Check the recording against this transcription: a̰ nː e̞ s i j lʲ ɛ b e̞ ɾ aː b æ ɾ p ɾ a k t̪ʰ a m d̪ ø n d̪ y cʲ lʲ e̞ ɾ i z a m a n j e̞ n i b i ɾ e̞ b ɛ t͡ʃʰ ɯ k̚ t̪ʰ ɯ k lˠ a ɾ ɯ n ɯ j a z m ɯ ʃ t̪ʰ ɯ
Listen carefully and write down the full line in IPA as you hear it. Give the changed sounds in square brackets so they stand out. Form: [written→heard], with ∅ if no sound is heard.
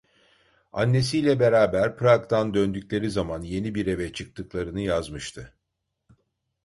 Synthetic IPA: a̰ nː e̞ s i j lʲ ɛ b e̞ ɾ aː b æ ɾ p ɾ a k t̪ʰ a [m→n] d̪ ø n d̪ y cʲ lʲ e̞ ɾ i z a m a n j e̞ n i b i ɾ e̞ [b→v] ɛ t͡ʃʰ ɯ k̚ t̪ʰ ɯ k lˠ a ɾ ɯ n ɯ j a z m ɯ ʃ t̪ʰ ɯ

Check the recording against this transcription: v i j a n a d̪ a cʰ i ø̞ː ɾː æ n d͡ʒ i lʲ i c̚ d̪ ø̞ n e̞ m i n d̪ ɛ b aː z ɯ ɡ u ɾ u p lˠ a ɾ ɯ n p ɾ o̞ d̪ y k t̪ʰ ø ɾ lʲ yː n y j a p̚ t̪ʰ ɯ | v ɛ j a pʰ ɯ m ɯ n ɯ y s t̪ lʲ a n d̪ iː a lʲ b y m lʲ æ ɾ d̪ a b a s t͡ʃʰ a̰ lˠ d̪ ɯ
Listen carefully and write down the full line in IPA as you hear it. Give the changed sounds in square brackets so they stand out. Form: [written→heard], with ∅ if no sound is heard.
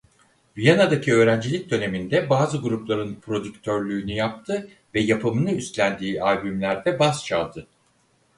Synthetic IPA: v i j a n a d̪ a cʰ i ø̞ː [ɾː→ɾ] æ n d͡ʒ i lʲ i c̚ d̪ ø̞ n e̞ m i n d̪ ɛ b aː z ɯ ɡ u ɾ u p lˠ a ɾ ɯ n p ɾ o̞ d̪ y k t̪ʰ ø ɾ lʲ yː n y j a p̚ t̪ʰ ɯ | v ɛ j a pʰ ɯ m ɯ n ɯ y s t̪ lʲ [a→æ] n d̪ iː a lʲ b y m lʲ æ ɾ d̪ [a→ɛ] b a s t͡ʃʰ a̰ lˠ d̪ ɯ

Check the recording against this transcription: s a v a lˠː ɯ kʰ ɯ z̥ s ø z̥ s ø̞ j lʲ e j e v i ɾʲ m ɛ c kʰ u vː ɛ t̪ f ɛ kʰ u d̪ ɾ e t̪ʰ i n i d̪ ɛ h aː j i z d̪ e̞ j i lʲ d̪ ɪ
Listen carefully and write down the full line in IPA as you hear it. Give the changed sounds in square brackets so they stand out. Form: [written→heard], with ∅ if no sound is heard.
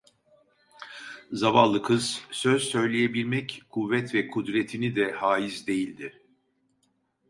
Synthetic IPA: [s→z] a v a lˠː ɯ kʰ ɯ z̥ s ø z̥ s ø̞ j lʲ e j e [v→b] i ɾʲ m ɛ c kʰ u vː ɛ t̪ [f→v] ɛ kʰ u d̪ ɾ e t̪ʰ i n i d̪ ɛ h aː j i z d̪ e̞ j i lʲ d̪ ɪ

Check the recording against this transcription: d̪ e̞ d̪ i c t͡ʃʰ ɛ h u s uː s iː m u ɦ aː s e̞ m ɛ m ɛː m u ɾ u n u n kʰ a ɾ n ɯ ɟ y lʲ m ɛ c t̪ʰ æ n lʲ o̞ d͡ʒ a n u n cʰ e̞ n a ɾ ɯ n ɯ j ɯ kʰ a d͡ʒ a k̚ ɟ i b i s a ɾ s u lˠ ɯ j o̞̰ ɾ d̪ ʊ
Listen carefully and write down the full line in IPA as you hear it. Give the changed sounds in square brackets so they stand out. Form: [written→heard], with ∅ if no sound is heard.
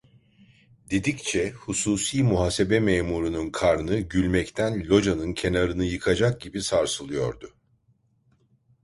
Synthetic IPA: d̪ e̞ d̪ i c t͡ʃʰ ɛ h u s uː s iː m u ɦ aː s e̞ [m→b] ɛ m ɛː m u ɾ u n u n kʰ a ɾ n ɯ ɟ y lʲ m ɛ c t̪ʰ æ n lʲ o̞ d͡ʒ a n [u→ɯ] n cʰ e̞ n a ɾ ɯ n ɯ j ɯ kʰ a d͡ʒ a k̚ ɟ i b i s a ɾ s [u→ɯ] lˠ ɯ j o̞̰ ɾ d̪ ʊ

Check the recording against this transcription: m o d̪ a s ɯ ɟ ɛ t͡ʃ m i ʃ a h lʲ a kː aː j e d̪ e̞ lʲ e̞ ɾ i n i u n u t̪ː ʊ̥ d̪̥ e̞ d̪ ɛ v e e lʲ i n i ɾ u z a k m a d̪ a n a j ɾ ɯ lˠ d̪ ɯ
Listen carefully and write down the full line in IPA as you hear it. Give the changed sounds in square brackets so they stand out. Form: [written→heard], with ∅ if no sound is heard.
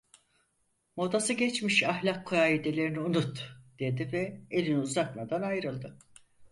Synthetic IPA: m o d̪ a s ɯ ɟ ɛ t͡ʃ m i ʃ a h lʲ a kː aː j [e→i] d̪ e̞ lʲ e̞ ɾ i n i u n u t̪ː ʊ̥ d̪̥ e̞ d̪ [ɛ→i] v [e→ɛ] e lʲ i n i [ɾ→∅] u z a k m a d̪ a n a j ɾ ɯ lˠ d̪ ɯ

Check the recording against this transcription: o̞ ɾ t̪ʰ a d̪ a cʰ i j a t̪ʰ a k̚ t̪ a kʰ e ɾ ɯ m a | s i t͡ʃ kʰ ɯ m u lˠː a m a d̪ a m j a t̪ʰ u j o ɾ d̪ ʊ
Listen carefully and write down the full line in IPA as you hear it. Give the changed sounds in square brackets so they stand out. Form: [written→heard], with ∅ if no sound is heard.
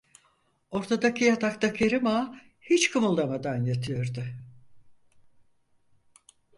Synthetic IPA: o̞ ɾ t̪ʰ a d̪ a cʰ i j a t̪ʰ a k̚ t̪ a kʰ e ɾ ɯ m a | [s→h] i t͡ʃ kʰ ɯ m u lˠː a m a d̪ a [m→n] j a t̪ʰ [u→ɯ] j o ɾ d̪ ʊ

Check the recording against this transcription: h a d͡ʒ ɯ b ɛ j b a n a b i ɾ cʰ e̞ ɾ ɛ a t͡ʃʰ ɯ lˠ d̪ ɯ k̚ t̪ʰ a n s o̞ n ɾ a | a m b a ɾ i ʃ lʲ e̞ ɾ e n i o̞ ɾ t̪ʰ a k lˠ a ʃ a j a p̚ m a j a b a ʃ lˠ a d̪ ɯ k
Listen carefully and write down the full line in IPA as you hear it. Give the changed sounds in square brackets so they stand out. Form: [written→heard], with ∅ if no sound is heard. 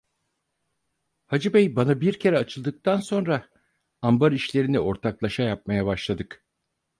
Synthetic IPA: h a d͡ʒ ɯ b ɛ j b a n a b i ɾ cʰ e̞ ɾ ɛ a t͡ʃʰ ɯ lˠ d̪ ɯ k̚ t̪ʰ a n s o̞ n ɾ a | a m b a ɾ i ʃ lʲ e̞ ɾ [e→i] n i o̞ ɾ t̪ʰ a k lˠ a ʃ a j a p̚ m a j a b a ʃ lˠ a d̪ ɯ k

